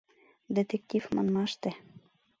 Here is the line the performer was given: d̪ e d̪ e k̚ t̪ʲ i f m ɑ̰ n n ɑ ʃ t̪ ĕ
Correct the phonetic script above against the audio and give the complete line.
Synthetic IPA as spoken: d̪ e t̪ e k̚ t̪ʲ i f m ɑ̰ n m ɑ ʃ t̪ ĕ